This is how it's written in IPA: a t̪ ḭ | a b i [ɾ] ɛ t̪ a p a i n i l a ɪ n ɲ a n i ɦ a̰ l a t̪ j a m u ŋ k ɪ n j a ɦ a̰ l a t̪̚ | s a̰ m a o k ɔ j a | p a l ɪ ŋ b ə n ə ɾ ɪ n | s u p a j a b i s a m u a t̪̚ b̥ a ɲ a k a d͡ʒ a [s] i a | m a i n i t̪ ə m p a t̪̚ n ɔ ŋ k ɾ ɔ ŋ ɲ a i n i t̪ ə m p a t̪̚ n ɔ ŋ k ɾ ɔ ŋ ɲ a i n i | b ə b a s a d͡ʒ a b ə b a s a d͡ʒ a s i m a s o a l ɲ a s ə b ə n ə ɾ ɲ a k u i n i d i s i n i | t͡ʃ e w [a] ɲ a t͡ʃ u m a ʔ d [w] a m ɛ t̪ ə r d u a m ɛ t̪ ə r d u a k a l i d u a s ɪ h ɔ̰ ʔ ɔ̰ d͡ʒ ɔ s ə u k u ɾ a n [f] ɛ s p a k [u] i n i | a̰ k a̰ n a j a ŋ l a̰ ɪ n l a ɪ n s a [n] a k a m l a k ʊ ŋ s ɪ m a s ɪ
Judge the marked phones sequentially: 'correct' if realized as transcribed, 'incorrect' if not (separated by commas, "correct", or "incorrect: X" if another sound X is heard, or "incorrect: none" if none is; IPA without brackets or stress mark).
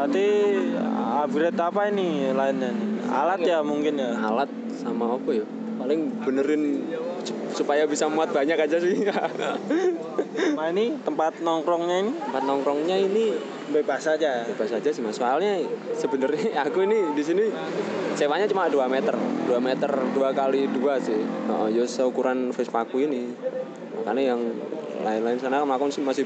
correct, correct, correct, incorrect: u, correct, correct, correct